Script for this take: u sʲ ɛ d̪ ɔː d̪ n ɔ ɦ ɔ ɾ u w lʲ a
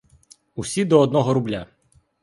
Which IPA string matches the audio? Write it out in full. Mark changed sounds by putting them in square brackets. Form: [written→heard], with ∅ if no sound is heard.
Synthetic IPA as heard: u sʲ [ɛ→i] d̪ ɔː d̪ n ɔ ɦ ɔ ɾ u [w→b] lʲ a